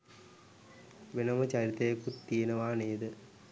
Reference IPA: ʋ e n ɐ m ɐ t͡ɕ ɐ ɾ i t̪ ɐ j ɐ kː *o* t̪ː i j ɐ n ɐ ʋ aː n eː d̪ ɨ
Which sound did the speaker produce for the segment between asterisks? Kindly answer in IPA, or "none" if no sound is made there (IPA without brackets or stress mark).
u